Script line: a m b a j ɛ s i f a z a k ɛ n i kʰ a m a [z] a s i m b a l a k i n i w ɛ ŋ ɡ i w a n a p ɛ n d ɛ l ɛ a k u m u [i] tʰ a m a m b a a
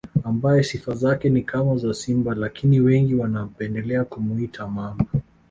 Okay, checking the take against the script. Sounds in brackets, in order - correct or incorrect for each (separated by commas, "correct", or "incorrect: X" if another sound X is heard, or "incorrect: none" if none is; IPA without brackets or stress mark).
correct, correct